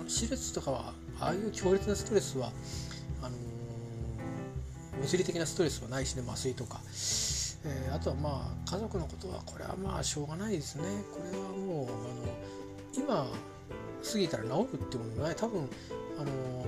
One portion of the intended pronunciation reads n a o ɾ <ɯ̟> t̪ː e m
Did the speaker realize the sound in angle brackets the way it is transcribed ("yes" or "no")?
yes